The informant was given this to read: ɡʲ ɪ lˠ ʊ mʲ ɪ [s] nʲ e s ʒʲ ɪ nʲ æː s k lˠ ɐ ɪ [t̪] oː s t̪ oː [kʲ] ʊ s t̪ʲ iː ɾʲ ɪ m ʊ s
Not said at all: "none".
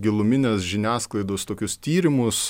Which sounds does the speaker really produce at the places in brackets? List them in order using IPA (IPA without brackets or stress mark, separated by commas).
none, d̪, kʲ